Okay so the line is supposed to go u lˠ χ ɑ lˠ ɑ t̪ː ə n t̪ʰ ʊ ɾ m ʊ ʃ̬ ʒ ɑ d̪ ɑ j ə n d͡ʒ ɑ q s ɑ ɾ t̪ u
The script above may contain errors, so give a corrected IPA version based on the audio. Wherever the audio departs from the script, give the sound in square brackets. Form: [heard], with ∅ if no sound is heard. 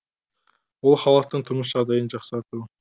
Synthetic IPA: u lˠ χ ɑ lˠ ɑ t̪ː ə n t̪ʰ ʊ ɾ m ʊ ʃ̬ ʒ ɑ d̪ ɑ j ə n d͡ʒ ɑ q s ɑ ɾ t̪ u